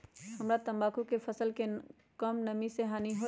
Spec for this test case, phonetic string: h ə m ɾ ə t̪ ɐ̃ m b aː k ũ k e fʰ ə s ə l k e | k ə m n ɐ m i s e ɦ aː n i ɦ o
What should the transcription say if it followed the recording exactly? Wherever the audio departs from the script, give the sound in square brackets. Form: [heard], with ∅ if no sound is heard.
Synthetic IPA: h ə m ɾ [a] t̪ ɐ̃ m b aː k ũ k e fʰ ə s ə l k e | k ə m n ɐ m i s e ɦ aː n i ɦ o